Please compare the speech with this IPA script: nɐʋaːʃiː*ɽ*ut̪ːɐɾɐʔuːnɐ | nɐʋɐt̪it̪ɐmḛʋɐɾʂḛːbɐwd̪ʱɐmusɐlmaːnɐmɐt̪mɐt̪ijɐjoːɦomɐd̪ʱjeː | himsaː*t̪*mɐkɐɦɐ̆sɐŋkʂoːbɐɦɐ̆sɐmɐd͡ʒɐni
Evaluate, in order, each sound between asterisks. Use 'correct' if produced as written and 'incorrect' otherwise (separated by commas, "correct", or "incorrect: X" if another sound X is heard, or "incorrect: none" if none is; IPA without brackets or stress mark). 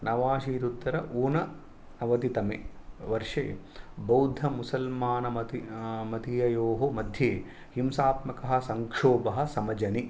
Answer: incorrect: ɾ, correct